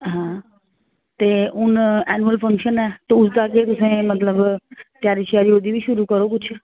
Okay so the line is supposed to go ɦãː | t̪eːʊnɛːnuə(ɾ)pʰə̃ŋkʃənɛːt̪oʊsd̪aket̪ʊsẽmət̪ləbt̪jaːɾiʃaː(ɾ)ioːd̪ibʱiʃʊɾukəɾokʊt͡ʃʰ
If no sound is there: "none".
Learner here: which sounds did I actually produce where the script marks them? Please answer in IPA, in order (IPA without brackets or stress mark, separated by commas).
l, ɾ